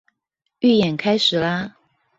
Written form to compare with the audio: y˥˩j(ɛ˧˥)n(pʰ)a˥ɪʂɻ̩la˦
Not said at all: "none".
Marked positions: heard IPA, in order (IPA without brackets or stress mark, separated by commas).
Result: ɛ˨˩, kʰ